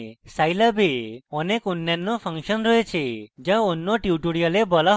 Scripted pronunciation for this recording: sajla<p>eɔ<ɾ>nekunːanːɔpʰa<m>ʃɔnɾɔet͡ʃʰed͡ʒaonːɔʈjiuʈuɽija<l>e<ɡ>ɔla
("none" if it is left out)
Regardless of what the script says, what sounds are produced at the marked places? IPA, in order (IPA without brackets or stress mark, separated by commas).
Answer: b, none, ŋ, l, b